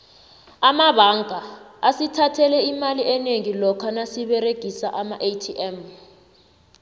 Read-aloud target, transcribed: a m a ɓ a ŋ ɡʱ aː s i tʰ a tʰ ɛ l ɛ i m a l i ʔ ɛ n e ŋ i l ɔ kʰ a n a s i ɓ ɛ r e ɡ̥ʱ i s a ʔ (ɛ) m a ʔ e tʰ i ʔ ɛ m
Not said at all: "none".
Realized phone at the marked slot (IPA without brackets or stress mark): a